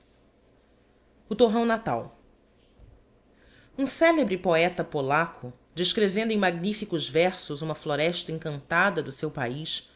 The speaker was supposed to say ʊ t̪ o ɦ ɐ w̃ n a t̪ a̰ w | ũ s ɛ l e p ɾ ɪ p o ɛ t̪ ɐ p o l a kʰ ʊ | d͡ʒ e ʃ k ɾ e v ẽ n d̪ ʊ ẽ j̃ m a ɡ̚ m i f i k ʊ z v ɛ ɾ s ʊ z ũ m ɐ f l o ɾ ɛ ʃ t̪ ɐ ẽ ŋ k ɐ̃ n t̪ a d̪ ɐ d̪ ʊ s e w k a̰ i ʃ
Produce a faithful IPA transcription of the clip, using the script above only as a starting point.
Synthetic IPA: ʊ t̪ o ɦ ɐ̃ w̃ n a t̪ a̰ w | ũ s ɛ l e b ɾ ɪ p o ɛ t̪ ɐ p o l a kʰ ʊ | d͡ʒ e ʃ k ɾ e v ẽ n d̪ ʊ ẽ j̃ m a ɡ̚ n i f i k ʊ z v ɛ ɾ s ʊ z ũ m ɐ f l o ɾ ɛ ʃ t̪ ɐ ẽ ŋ k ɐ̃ n t̪ a d̪ ɐ d̪ ʊ s e w p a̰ i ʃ